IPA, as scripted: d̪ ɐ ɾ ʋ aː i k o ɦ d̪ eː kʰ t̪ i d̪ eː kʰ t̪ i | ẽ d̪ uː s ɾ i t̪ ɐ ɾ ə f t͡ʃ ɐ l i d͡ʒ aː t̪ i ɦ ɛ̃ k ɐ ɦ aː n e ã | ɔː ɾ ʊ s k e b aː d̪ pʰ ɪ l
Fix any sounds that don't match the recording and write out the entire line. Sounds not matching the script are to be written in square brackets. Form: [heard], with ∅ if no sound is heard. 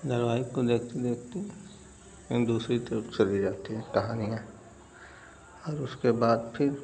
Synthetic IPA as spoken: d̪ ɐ ɾ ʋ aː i k o [∅] d̪ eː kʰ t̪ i d̪ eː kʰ t̪ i | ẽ d̪ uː s ɾ i t̪ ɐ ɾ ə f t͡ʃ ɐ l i d͡ʒ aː t̪ i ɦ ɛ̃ k ɐ ɦ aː n [i] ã | ɔː ɾ ʊ s k e b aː d̪ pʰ ɪ [ɾ]